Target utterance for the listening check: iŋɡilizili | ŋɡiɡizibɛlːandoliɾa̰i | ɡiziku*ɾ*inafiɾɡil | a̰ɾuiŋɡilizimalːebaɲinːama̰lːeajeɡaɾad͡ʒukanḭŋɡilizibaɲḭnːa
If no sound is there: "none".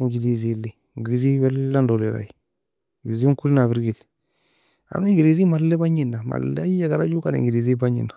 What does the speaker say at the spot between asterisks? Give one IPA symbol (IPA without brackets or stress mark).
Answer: l